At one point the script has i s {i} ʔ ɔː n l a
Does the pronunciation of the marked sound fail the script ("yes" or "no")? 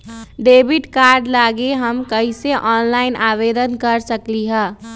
yes